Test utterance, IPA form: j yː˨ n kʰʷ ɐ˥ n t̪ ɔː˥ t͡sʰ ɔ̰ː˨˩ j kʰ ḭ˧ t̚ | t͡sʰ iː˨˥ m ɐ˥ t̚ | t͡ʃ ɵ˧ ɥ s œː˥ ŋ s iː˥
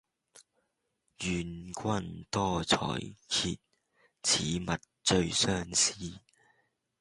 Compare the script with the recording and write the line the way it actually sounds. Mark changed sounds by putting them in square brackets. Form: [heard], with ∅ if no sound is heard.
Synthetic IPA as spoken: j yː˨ n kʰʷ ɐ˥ n t̪ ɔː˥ t͡sʰ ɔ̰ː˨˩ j kʰ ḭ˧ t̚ | t͡sʰ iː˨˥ m [ɐ˨] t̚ | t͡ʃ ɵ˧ ɥ s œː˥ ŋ s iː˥